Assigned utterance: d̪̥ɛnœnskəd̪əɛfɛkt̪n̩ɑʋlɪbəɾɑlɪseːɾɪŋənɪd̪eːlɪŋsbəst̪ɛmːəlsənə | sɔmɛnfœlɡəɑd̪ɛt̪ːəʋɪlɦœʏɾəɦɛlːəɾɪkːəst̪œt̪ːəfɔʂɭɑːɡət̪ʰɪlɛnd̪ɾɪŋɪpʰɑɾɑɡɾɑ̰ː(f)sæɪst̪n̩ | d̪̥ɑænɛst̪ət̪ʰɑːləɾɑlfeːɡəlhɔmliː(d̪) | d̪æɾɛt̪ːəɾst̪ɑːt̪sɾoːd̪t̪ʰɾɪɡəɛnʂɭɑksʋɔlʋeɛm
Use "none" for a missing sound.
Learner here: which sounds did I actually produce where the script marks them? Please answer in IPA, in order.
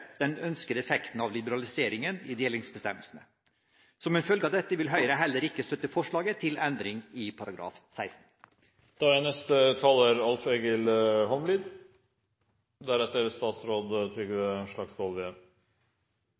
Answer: f, d̪

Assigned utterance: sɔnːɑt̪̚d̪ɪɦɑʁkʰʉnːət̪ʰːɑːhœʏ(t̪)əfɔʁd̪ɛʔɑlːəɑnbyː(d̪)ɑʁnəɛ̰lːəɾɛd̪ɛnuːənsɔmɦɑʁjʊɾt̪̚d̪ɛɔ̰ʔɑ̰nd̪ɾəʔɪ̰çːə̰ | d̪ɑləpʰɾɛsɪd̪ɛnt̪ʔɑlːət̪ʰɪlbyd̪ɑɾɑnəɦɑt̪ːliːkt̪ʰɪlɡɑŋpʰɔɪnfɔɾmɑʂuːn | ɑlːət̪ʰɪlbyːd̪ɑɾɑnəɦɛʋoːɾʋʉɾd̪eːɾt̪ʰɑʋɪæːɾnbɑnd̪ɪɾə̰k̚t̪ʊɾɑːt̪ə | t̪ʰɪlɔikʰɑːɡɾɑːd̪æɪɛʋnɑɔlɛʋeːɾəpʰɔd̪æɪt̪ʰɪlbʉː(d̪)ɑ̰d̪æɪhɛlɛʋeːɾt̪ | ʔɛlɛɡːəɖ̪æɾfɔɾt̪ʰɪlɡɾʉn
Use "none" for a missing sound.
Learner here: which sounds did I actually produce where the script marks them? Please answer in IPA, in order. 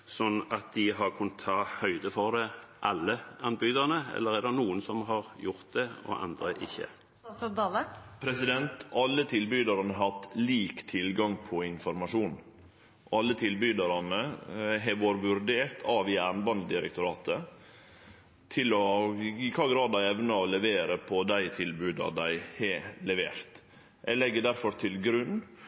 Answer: d̪, d̪, d̪

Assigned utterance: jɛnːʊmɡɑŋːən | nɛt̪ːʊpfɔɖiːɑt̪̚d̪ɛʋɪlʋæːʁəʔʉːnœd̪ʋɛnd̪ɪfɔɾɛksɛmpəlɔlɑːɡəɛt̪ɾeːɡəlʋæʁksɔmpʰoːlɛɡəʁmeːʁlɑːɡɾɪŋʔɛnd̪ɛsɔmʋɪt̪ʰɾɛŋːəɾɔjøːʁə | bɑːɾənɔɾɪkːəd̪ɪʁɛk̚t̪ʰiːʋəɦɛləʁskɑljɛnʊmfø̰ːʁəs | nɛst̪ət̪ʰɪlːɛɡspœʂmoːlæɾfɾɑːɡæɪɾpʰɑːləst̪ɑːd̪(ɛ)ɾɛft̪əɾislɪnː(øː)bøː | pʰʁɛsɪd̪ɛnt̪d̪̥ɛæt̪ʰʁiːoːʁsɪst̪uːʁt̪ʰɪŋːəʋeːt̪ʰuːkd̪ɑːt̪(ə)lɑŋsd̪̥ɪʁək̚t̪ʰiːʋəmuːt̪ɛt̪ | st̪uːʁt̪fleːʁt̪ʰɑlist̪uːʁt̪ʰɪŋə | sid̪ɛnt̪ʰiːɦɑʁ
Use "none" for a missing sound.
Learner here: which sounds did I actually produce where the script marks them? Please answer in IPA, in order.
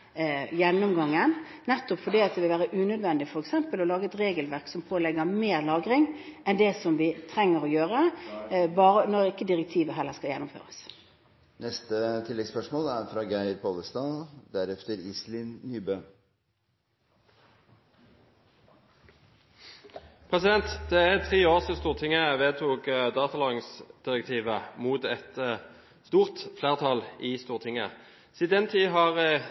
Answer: æ, yː, ɑ

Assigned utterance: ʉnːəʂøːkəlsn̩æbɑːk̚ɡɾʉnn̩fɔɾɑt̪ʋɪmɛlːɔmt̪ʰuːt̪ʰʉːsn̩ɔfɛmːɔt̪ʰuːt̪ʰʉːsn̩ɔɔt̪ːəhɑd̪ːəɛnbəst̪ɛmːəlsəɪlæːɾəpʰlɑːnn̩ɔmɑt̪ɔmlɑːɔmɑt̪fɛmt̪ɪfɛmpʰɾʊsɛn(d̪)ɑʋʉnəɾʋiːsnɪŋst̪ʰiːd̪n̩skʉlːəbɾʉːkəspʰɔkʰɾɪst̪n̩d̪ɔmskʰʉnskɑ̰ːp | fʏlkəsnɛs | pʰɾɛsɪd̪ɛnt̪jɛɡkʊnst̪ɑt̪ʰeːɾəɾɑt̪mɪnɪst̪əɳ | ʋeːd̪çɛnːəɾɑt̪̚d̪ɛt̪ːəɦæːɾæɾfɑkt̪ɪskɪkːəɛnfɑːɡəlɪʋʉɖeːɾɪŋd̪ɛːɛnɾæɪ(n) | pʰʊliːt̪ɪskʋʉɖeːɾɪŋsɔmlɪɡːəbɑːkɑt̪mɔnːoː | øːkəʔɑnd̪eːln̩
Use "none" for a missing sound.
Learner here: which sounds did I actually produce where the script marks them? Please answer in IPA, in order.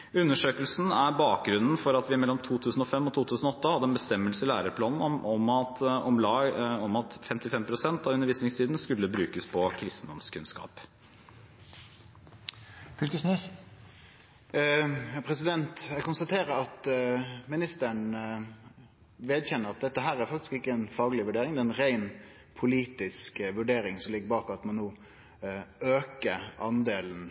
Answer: t̪, n

